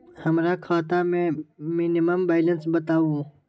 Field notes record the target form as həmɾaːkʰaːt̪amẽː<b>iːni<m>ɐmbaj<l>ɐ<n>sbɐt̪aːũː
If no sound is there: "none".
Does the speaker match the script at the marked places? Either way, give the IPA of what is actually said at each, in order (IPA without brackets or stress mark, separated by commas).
m, m, l, n